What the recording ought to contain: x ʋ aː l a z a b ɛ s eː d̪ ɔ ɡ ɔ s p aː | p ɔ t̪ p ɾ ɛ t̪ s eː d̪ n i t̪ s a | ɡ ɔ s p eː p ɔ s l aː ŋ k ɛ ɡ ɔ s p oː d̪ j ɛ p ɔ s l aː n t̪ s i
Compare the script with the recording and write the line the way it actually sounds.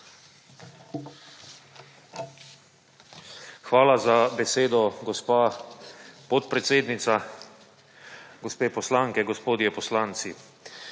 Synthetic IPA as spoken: x ʋ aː l a z a b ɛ s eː d̪ ɔ ɡ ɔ s p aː | p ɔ t̪ p ɾ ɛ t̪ s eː d̪ n i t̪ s a | ɡ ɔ s p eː p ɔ s l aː ŋ k ɛ ɡ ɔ s p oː d̪ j ɛ p ɔ s l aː n t̪ s i